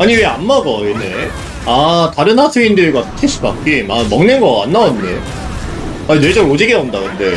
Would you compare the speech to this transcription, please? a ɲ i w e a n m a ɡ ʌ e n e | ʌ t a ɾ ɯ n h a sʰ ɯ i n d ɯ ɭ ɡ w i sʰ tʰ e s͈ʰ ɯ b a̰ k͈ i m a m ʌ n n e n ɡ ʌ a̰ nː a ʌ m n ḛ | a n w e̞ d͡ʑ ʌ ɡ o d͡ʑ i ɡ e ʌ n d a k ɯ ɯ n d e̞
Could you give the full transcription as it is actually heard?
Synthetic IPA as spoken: a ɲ i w e a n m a ɡ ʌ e n e | a t a ɾ ɯ n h a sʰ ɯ i n d ɯ ɭ ɡ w a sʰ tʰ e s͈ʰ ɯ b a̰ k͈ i m a m ʌ ŋ n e n ɡ ʌ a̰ nː a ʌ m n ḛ | a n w e̞ d͡ʑ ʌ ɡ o d͡ʑ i ɡ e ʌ n d a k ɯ ɯ n d e̞